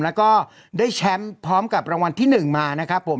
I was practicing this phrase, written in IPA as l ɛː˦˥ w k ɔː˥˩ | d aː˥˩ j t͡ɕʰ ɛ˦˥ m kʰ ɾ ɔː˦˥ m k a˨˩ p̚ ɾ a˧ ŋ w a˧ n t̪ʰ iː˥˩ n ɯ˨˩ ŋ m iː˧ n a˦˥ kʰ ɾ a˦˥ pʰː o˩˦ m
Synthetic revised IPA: l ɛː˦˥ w k ɔː˥˩ | d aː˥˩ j t͡ɕʰ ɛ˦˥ m pʰ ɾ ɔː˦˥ m k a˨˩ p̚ ɾ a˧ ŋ w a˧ n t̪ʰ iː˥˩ n ɯ˨˩ ŋ m aː˧ n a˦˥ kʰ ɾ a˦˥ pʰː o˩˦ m